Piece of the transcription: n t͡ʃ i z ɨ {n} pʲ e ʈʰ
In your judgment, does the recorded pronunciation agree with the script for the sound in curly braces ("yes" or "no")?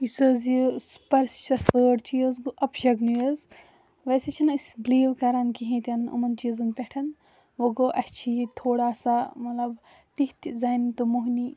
yes